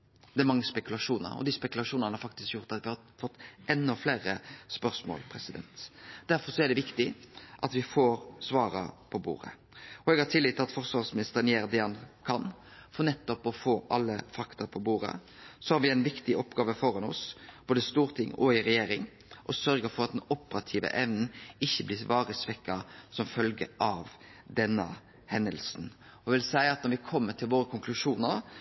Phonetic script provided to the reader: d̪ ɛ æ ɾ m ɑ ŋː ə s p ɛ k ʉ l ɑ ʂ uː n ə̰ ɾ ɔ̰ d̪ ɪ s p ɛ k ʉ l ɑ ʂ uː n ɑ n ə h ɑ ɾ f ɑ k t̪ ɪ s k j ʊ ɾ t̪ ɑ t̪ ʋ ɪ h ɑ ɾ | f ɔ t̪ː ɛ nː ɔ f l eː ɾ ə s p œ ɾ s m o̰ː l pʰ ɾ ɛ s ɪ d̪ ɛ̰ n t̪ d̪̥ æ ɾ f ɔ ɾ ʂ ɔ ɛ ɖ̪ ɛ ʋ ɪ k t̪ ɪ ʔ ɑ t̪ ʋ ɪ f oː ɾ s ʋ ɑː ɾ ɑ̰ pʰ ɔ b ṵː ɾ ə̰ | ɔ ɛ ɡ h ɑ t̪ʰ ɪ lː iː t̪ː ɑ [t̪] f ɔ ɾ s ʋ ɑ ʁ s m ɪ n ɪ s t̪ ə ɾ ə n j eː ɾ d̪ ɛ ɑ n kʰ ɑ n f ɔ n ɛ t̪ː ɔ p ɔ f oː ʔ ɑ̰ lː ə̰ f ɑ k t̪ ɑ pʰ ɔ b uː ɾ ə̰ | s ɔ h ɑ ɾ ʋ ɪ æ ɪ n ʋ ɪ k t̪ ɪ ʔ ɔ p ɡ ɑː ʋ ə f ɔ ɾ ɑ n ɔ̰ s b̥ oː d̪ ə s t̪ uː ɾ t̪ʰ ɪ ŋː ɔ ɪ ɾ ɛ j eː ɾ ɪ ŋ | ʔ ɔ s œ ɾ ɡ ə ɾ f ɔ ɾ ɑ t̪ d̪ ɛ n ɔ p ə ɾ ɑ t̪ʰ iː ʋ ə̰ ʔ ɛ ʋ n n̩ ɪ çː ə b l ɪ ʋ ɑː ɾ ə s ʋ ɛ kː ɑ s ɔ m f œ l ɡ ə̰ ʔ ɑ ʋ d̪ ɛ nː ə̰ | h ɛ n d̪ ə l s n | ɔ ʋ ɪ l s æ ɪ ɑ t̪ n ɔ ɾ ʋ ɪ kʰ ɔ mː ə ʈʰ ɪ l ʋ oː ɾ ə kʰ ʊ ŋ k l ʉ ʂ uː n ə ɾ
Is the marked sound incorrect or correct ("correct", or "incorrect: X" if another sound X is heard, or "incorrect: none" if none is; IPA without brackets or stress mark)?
correct